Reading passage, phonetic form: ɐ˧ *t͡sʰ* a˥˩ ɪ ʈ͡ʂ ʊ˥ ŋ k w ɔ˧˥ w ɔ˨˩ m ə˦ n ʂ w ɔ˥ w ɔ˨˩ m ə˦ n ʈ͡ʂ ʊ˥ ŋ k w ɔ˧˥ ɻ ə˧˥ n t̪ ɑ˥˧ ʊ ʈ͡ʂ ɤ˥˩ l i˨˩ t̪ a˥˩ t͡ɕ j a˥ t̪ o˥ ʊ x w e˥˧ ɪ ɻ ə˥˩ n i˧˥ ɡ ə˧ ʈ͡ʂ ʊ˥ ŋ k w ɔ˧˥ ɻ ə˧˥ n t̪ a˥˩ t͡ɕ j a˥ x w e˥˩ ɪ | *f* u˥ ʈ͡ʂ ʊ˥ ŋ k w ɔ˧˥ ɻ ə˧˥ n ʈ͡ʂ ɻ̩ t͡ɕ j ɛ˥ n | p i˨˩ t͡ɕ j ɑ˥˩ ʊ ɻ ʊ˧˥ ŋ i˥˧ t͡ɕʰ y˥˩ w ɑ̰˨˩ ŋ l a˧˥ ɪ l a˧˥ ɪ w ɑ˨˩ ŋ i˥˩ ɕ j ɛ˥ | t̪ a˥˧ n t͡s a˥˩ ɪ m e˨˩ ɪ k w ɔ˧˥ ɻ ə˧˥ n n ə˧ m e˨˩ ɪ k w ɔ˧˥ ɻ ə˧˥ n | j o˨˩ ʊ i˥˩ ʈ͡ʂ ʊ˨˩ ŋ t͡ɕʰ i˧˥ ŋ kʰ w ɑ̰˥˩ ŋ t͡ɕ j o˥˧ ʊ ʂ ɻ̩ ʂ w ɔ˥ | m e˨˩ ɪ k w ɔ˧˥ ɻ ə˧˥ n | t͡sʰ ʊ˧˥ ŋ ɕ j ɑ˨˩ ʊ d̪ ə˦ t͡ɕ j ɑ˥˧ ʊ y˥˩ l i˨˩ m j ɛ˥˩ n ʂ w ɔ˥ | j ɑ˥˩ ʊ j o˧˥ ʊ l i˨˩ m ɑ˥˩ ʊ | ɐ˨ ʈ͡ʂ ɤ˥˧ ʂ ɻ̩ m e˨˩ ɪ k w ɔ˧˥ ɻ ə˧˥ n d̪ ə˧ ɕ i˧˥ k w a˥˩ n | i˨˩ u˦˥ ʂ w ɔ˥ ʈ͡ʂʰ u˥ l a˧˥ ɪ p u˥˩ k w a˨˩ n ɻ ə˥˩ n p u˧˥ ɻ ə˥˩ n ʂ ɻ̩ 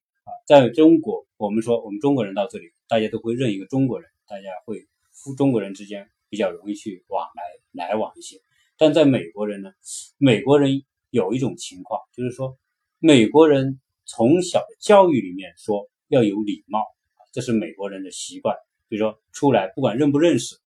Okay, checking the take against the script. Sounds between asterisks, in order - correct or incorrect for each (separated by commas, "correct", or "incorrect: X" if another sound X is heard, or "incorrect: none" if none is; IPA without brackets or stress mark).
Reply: incorrect: t͡s, correct